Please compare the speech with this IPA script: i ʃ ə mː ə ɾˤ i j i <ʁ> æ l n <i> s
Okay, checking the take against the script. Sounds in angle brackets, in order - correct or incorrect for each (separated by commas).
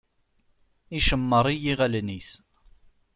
correct, correct